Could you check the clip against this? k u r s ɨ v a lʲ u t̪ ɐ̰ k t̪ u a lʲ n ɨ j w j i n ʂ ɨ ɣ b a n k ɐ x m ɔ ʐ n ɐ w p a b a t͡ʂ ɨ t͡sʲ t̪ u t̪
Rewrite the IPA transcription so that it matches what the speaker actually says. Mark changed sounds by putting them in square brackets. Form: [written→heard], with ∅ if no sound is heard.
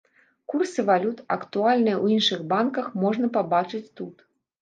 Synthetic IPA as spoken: k u r s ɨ v a lʲ u t̪ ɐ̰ k t̪ u a lʲ n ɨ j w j i n ʂ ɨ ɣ b a n k ɐ x m ɔ ʐ n ɐ [w→∅] p a b a t͡ʂ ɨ t͡sʲ t̪ u t̪